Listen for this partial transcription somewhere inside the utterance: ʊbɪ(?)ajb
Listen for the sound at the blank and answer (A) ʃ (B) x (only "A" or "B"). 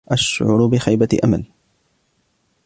B